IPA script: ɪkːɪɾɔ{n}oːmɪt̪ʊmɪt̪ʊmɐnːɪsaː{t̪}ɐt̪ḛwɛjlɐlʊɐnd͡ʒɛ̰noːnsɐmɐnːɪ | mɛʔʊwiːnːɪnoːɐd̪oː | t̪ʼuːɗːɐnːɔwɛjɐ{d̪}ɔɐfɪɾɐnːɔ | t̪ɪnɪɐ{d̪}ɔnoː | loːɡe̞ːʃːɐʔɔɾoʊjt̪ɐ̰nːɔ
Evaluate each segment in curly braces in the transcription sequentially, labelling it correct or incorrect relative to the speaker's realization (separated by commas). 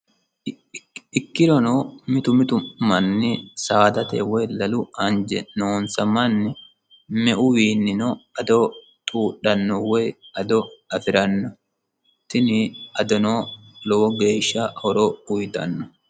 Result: correct, incorrect, correct, correct